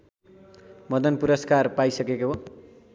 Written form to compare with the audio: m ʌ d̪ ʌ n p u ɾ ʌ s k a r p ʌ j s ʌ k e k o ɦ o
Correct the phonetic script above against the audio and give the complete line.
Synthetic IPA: m ʌ d̪ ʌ n p u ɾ ʌ s k a r p a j s ʌ k e k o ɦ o

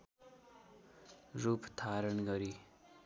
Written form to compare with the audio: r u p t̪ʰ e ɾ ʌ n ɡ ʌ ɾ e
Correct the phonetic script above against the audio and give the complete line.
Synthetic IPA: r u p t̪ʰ a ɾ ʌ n ɡ ʌ ɾ i

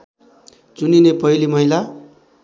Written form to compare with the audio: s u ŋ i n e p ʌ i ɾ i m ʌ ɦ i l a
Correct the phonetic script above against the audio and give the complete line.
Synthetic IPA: t͡s u n i n e p ʌ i l i m ʌ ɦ i l a

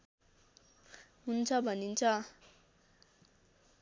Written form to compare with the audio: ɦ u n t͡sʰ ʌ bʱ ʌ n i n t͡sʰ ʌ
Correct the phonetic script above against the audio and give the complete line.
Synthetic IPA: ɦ u n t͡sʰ ʌ bʱ ʌ n i n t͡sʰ ʌ

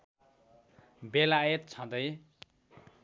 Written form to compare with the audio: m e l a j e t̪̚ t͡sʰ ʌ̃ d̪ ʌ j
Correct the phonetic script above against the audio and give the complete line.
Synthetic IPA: b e l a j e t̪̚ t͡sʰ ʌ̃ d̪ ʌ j

